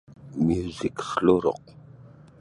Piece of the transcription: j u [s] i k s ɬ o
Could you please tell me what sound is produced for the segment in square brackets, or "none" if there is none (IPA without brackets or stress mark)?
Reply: z